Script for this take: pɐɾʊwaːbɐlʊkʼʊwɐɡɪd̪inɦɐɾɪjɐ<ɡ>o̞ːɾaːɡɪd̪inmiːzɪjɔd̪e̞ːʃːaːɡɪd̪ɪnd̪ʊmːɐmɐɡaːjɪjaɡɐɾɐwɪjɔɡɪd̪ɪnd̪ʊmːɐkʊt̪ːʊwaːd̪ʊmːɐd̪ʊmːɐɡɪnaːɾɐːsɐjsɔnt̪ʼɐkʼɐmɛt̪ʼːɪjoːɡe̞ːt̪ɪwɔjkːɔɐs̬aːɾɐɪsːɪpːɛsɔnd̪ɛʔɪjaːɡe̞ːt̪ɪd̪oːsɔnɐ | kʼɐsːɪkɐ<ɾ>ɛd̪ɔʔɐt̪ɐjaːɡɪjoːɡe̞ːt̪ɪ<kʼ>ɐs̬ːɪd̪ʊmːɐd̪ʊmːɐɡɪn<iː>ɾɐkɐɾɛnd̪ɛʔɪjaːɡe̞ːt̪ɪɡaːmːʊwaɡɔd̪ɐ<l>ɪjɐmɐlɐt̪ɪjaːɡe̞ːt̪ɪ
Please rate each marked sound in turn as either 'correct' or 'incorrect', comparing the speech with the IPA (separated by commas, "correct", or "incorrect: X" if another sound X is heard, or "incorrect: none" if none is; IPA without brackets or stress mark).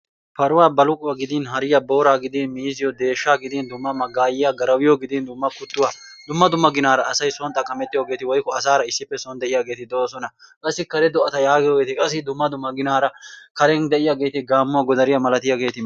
incorrect: b, correct, correct, incorrect: aː, incorrect: ɾ